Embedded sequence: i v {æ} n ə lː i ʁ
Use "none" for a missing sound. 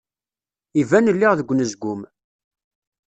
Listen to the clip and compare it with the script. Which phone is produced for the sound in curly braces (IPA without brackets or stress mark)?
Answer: æ